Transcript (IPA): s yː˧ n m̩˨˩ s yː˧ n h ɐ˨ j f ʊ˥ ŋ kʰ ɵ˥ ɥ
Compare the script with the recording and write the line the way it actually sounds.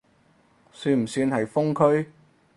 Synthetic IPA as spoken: s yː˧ n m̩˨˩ s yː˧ n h ɐ˨ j f ʊ˥ ŋ kʰ ɵ˥ ɥ